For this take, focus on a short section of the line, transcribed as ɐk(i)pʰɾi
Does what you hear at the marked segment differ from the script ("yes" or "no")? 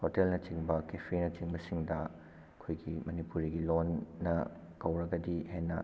yes